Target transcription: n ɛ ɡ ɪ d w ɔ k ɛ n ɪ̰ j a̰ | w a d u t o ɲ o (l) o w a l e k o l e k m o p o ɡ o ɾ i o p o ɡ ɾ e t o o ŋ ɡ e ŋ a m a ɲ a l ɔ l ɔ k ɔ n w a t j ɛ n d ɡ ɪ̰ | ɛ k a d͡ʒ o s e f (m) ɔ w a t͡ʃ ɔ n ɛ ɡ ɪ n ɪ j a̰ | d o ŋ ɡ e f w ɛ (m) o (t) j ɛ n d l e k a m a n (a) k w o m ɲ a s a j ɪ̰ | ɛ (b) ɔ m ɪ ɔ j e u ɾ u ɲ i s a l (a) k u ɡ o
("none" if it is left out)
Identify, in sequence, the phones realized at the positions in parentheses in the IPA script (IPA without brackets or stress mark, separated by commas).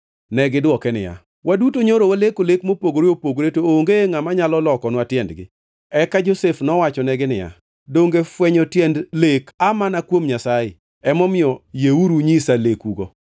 ɾ, n, ɲ, t, a, m, e